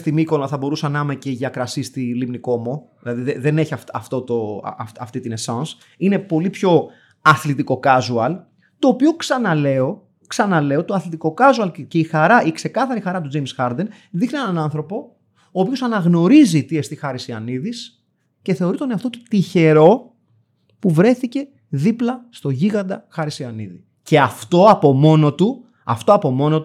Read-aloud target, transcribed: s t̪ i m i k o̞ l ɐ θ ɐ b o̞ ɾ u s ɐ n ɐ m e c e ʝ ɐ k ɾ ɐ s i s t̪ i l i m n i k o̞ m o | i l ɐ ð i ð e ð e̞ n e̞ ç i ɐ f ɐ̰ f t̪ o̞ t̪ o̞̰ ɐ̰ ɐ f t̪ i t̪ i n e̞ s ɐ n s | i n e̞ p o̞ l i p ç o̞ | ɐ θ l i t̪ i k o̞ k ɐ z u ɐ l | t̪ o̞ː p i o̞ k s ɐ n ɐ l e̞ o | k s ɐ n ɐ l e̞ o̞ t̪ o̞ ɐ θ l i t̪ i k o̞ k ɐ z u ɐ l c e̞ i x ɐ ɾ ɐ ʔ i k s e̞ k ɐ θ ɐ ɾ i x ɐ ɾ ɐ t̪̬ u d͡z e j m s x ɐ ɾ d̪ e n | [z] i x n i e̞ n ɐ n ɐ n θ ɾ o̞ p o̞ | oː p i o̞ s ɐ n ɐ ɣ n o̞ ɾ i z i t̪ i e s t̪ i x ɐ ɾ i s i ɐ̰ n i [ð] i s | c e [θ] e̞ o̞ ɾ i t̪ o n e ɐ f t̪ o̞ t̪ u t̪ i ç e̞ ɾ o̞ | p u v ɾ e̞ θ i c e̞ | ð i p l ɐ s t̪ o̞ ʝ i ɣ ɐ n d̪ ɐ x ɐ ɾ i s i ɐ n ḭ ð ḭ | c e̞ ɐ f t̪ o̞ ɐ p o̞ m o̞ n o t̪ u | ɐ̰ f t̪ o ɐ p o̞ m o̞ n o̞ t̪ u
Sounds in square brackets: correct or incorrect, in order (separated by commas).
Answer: incorrect, correct, correct